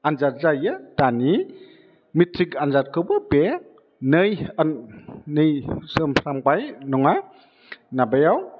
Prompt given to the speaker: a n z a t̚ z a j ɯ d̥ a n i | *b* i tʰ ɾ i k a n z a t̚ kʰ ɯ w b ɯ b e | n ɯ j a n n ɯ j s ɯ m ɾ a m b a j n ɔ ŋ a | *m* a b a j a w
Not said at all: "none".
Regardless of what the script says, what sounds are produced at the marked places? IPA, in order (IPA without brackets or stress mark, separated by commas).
m, n